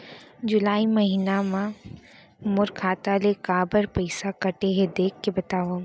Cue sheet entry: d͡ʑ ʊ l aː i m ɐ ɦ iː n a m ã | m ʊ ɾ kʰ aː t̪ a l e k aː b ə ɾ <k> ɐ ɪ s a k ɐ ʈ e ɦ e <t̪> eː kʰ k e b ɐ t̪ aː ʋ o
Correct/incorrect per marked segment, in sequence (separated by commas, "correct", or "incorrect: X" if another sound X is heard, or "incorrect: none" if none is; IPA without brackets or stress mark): incorrect: p, incorrect: d̪